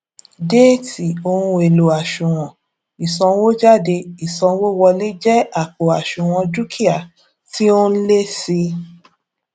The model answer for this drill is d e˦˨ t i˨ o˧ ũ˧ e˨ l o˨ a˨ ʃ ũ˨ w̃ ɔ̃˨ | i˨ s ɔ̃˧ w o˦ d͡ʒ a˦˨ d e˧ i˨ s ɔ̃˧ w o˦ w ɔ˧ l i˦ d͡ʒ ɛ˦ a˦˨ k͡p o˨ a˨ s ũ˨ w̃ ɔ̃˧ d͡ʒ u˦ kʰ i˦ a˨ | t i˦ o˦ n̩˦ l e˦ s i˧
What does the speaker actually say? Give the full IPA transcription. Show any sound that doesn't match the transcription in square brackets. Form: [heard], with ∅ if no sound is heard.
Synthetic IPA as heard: d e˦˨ t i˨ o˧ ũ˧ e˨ l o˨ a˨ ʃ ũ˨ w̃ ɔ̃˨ | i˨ s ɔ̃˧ w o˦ d͡ʒ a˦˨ d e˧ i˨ s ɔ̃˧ w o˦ w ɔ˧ l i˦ d͡ʒ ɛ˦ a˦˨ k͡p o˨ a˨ [ʃ] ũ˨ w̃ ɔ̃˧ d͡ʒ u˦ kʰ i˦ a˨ | t i˦ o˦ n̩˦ l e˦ s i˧